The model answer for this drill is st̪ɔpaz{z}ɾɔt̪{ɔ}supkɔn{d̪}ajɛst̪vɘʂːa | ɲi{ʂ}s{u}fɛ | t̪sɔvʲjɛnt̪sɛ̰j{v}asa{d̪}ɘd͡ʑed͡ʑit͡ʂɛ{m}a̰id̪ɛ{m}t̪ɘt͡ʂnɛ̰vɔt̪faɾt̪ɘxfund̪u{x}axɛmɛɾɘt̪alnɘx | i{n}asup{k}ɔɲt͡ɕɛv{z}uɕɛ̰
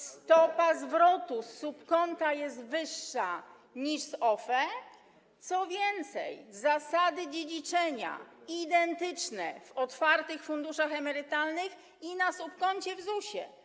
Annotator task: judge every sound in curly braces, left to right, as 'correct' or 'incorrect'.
incorrect: v, incorrect: u, incorrect: t̪, correct, incorrect: ɔ, incorrect: z, correct, incorrect: ɲ, incorrect: n, incorrect: ʂ, correct, correct, correct

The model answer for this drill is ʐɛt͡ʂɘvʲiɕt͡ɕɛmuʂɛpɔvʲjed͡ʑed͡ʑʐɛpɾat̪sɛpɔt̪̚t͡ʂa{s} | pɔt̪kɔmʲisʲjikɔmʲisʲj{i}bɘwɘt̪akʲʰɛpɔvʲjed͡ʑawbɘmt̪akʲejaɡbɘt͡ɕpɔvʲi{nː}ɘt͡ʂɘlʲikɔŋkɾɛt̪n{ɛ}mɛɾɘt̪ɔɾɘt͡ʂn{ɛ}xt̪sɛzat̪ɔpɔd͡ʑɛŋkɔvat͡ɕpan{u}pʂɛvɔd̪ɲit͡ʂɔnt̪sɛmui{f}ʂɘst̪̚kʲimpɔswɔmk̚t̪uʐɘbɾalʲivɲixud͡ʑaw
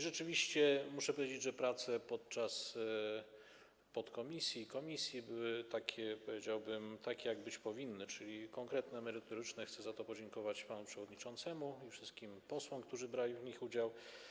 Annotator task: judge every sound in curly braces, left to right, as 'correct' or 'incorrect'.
correct, correct, correct, correct, correct, correct, correct

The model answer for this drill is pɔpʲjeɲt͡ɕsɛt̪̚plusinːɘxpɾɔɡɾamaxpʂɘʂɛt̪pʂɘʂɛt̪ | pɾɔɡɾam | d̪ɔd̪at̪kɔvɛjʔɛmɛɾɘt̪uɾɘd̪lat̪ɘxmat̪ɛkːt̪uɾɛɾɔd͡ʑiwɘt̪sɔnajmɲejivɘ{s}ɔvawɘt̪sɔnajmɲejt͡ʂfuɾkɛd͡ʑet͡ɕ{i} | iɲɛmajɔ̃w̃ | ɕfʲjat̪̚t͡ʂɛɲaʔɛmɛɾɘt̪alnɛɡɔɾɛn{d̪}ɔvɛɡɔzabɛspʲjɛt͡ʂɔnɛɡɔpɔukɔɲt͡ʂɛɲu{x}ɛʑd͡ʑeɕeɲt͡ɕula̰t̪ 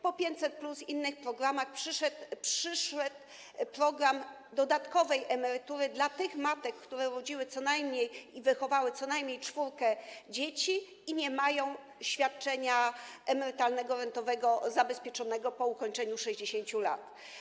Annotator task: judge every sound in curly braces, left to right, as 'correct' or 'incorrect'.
incorrect: x, correct, incorrect: t̪, incorrect: ʂ

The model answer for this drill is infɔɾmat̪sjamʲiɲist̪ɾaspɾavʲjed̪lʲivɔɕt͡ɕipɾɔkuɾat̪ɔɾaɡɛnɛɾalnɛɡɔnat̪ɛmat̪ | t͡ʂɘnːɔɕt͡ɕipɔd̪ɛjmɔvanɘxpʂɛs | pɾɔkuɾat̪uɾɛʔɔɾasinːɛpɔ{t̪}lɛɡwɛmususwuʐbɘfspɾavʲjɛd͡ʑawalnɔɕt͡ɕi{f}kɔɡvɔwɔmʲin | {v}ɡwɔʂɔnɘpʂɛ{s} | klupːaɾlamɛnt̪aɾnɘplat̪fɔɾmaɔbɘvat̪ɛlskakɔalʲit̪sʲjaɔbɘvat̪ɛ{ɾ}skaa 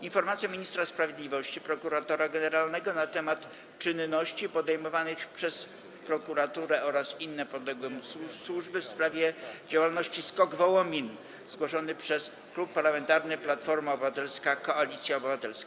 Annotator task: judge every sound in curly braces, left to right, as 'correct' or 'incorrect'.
incorrect: d̪, incorrect: s, incorrect: z, correct, incorrect: l

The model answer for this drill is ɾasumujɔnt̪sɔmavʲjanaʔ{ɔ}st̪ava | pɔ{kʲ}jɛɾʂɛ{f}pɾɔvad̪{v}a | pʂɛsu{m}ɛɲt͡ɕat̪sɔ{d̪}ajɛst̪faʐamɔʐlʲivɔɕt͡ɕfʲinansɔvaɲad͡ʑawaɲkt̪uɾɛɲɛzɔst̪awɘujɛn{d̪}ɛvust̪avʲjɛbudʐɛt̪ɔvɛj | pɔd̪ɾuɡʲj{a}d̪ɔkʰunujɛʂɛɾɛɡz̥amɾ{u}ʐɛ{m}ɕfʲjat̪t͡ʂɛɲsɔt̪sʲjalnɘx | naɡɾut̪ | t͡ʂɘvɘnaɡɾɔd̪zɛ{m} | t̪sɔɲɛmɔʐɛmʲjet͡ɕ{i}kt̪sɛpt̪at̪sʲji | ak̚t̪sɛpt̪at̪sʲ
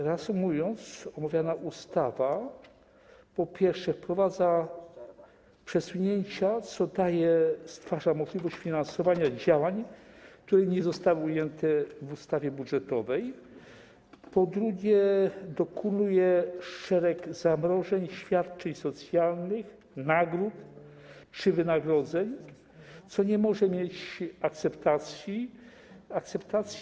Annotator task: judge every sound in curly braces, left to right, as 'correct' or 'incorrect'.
incorrect: u, incorrect: pʲ, correct, incorrect: z, incorrect: ɲ, correct, incorrect: t̪, incorrect: ɛ, incorrect: ɔ, incorrect: ɲ, incorrect: ɲ, incorrect: a

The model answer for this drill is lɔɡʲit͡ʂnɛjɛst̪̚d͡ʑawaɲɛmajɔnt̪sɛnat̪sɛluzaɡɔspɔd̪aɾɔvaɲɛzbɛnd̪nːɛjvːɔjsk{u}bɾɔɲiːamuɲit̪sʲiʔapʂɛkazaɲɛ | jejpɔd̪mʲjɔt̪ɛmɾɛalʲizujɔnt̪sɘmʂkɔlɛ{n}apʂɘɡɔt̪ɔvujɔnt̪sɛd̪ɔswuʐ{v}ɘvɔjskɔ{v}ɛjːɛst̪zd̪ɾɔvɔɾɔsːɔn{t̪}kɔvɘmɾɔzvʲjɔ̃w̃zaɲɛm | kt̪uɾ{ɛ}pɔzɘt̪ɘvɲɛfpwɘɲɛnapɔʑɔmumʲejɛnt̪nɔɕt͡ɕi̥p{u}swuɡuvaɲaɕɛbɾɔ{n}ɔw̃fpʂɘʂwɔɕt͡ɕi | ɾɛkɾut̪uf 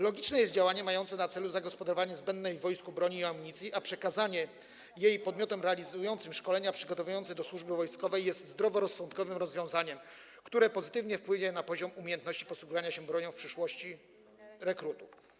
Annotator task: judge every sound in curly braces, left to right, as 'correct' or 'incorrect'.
correct, incorrect: ɲ, incorrect: b, correct, correct, correct, incorrect: ɔ, incorrect: ɲ

